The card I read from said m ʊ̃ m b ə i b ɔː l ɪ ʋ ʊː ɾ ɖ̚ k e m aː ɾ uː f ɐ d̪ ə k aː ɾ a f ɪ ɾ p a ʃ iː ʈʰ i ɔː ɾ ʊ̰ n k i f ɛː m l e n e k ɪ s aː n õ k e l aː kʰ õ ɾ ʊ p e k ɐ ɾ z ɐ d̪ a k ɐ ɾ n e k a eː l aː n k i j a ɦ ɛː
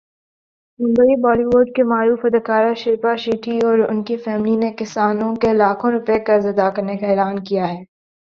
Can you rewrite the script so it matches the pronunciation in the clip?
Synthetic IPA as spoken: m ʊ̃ m b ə i b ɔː l i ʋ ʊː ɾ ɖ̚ k e m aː ɾ uː f ɐ d̪ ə k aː ɾ a ʃ ɪ ɾ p a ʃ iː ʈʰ i ɔː ɾ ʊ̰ n k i f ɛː m l i n e k ɪ s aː n õ k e l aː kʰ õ ɾ ʊ p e k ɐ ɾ z ɐ d̪ a k ɐ ɾ n e k a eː l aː n k i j a ɦ ɛː